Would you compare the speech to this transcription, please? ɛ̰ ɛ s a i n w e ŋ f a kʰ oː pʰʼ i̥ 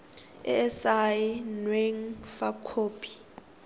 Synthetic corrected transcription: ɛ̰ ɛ s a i n w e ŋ f a kʰ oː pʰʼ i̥